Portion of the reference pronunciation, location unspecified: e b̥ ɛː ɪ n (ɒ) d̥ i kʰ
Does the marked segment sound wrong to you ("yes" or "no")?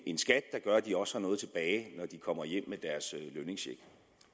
no